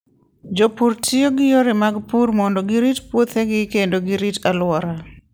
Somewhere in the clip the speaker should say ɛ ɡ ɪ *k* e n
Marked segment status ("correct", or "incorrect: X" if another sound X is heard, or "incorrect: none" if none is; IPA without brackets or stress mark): correct